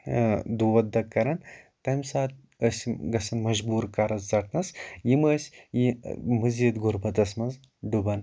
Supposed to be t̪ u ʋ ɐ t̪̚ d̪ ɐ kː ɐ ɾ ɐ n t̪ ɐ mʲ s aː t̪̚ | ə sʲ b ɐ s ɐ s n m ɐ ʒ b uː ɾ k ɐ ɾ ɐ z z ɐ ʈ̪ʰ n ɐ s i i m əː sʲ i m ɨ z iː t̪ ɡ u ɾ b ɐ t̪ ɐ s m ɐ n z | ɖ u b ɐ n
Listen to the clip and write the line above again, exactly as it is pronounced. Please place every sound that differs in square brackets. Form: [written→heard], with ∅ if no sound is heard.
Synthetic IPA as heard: [t̪→d̪] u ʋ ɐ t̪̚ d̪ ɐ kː ɐ ɾ ɐ n t̪ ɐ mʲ s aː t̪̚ | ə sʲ [b→ɡ] ɐ s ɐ [s→∅] n m ɐ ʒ b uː ɾ k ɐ ɾ ɐ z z ɐ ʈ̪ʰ n ɐ s [i→j] i m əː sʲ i m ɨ z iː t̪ ɡ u ɾ b ɐ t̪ ɐ s m ɐ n z | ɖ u b ɐ n